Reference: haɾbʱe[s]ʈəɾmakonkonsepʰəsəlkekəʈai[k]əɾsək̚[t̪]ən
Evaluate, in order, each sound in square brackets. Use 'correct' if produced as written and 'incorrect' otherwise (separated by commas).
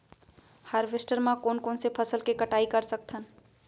correct, correct, incorrect